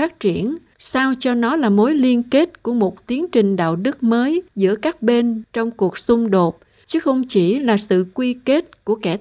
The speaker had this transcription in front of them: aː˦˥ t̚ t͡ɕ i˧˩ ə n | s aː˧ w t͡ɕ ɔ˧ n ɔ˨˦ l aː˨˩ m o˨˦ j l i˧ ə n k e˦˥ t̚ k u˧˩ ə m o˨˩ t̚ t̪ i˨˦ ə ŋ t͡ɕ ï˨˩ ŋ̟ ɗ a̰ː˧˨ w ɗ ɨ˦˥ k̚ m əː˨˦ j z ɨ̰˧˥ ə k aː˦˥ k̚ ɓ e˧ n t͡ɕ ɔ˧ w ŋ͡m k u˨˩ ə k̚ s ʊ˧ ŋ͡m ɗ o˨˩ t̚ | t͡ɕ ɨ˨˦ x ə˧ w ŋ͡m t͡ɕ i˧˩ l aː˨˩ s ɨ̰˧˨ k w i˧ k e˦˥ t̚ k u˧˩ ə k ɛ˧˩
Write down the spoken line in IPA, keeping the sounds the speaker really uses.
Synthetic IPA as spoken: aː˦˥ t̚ t͡ɕ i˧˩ ə n | s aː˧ w t͡ɕ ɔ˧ n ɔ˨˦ l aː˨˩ m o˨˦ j l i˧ ə n k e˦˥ t̚ k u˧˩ ə m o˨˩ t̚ t̪ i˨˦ ə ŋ t͡ɕ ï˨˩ ŋ̟ ɗ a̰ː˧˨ w ɗ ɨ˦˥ k̚ m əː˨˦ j z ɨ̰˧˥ ə k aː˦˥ k̚ ɓ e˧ n t͡ɕ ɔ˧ w ŋ͡m k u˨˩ ə k̚ s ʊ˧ ŋ͡m ɗ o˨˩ t̚ | t͡ɕ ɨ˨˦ x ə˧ w ŋ͡m t͡ɕ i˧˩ l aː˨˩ s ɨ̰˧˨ k w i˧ k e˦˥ t̚ k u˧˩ ə k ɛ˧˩